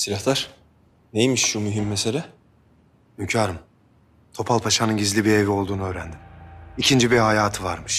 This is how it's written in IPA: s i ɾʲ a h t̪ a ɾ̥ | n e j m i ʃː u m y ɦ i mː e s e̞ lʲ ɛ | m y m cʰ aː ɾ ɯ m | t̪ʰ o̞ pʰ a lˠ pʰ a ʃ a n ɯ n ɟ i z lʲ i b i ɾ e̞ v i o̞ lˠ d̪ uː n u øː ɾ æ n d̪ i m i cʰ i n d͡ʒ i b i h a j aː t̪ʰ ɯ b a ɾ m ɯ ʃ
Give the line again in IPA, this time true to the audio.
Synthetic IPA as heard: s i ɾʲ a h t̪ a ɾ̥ | n e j m i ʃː u m y ɦ i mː e s e̞ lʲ ɛ | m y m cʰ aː ɾ ɯ m | t̪ʰ o̞ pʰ a lˠ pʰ a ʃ a n ɯ n ɟ i z lʲ i b i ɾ e̞ v i o̞ lˠ d̪ uː n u øː ɾ æ n d̪ i m i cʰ i n d͡ʒ i b i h a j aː t̪ʰ ɯ v a ɾ m ɯ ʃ